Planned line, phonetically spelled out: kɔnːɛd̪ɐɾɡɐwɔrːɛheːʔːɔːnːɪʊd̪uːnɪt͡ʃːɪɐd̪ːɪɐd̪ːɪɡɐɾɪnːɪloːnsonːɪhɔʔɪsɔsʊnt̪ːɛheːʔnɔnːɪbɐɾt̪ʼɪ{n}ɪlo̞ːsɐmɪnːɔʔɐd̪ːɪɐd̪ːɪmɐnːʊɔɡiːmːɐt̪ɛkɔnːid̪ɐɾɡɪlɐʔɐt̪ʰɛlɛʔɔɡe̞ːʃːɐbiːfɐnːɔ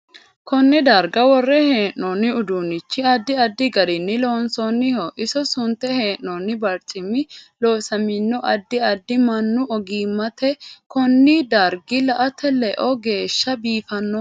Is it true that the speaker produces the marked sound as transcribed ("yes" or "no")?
no